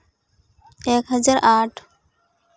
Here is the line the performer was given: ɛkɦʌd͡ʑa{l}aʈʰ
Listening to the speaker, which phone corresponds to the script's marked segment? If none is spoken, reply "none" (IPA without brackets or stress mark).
ɾ